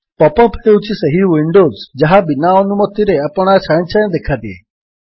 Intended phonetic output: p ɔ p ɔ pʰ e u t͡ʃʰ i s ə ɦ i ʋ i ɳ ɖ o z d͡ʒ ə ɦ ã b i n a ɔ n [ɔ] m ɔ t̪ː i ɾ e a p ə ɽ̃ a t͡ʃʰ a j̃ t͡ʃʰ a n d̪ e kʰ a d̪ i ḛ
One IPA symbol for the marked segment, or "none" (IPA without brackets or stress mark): u